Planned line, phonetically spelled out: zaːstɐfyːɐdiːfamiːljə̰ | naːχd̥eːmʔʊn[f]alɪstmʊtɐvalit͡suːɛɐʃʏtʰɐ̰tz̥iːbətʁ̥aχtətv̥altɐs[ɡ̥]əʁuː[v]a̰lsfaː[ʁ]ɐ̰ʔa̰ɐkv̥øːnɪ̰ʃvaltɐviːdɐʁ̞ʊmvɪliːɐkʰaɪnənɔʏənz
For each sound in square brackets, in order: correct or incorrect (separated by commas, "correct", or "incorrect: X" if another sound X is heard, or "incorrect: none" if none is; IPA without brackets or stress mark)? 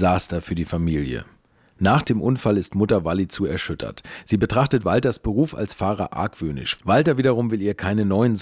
correct, incorrect: b̥, incorrect: f, correct